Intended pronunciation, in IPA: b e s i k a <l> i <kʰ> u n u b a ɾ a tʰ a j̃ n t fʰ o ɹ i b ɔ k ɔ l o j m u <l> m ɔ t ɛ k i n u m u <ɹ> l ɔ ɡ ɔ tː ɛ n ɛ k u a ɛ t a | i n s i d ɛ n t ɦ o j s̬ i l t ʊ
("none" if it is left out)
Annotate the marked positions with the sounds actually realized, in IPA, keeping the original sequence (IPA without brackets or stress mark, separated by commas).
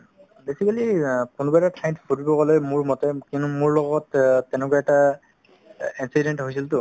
l, k, ɹ, ɹ